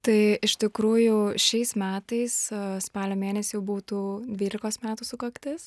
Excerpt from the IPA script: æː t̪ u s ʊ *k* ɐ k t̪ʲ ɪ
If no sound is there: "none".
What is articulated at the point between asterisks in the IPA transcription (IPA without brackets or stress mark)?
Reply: k